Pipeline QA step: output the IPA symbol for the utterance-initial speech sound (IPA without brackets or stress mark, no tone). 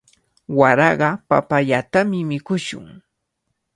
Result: w